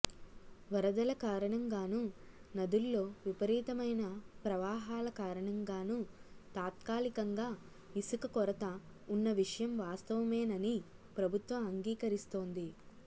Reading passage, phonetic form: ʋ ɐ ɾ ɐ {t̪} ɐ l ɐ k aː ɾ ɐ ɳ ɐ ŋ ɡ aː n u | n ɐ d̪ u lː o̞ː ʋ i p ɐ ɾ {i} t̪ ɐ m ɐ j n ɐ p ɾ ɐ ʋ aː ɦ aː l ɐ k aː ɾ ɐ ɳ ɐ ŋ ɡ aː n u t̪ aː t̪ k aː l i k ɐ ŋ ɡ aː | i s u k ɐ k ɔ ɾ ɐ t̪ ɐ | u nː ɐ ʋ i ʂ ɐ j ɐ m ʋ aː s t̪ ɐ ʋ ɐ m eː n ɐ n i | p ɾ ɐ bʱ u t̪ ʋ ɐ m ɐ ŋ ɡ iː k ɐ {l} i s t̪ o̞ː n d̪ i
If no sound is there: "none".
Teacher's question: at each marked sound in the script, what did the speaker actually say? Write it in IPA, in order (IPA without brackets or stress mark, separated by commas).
d̪, iː, ɾ